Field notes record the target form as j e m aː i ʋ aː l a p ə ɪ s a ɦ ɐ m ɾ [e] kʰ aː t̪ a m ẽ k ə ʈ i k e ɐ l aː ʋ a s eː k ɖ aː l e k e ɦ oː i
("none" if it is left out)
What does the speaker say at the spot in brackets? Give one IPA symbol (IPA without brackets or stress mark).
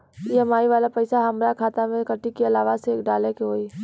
a